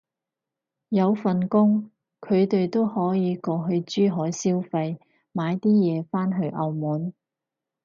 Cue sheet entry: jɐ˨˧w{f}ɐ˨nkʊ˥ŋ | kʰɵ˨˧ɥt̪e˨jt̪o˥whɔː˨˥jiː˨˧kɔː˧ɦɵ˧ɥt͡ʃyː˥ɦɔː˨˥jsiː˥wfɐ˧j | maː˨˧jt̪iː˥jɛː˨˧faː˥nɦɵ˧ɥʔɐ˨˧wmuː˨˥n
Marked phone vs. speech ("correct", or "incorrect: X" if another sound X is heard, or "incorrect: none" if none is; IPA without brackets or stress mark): correct